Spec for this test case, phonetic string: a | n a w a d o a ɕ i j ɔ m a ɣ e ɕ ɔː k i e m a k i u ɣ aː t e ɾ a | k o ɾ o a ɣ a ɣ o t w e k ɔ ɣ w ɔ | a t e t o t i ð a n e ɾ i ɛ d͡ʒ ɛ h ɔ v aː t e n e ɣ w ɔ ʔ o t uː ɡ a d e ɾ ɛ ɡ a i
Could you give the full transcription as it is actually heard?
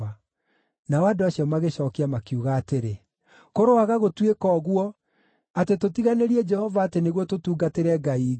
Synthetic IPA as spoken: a | n a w a d o a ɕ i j ɔ m a ɣ e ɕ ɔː k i a m a k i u ɣ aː t e ɾ e | k o ɾ o a ɣ a ɣ o t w e k ɔ ɣ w ɔ | a t e t o t i ɣ a n e ɾ i ɛ d͡ʒ ɛ h ɔ v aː t e n e ɣ w ɔ t o t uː ɡ a t e ɾ ɛ ɡ a i